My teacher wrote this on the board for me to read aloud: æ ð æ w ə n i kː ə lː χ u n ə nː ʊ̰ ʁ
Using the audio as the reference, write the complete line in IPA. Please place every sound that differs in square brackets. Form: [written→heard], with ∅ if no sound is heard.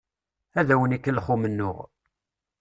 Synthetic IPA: æ ð æ w ə n i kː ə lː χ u [n→m] ə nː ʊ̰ ʁ